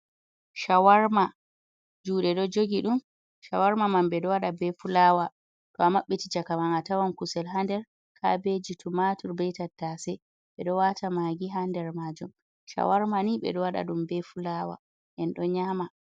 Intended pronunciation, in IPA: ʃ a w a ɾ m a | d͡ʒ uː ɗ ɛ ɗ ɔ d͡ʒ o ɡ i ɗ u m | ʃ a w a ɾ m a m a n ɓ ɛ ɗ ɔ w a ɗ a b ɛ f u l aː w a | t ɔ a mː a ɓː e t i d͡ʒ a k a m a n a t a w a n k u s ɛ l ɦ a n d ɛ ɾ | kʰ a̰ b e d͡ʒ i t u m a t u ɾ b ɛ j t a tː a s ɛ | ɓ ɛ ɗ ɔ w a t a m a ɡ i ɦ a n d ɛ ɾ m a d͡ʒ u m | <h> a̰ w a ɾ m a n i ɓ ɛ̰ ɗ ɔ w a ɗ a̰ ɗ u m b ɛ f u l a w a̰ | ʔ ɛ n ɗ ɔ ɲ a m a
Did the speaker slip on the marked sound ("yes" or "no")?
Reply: yes